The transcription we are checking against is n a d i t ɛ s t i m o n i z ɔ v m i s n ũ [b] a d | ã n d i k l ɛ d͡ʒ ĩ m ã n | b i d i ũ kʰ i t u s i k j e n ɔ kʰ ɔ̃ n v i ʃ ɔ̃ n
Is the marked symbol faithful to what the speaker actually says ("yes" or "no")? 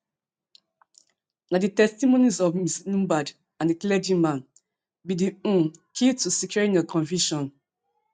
yes